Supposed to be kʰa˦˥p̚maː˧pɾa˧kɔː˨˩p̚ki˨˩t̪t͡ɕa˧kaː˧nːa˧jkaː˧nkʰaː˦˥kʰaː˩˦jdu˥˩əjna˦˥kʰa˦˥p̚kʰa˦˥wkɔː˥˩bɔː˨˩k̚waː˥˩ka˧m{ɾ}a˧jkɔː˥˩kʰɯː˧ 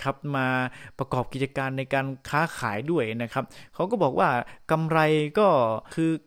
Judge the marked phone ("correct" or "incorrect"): correct